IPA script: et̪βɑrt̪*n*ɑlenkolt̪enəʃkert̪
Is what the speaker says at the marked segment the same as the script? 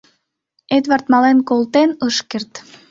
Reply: no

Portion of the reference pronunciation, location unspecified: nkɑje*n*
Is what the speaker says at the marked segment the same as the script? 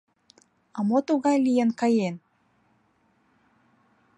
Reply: yes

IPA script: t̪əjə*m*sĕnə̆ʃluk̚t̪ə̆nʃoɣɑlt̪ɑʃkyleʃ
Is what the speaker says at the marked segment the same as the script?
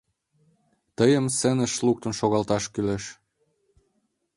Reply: yes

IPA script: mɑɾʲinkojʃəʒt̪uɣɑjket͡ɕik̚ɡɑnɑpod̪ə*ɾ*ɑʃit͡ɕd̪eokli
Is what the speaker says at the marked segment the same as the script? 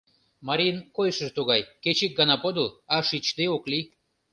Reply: no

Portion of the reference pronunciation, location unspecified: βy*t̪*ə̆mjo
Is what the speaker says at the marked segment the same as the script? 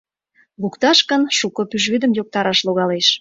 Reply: no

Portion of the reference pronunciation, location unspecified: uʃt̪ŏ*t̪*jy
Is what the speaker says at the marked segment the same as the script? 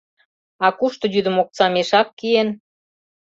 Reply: no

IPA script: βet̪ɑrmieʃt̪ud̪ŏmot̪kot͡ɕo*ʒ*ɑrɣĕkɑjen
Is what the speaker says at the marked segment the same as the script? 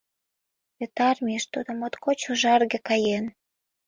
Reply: yes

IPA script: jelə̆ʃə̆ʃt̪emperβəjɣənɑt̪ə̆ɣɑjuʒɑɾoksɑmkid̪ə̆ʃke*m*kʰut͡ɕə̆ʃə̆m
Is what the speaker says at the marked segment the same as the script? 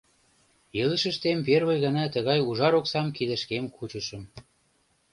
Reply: yes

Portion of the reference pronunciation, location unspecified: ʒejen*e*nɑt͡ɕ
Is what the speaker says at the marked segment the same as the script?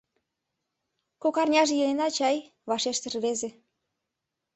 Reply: yes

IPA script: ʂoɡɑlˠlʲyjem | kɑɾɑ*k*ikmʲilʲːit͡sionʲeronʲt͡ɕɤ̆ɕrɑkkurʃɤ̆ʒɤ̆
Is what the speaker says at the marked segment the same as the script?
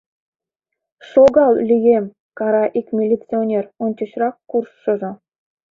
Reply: no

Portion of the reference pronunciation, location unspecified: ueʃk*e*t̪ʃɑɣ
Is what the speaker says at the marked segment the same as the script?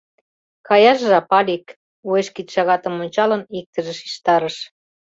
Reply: no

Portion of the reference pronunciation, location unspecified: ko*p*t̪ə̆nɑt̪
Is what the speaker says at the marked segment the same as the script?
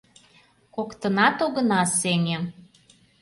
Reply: no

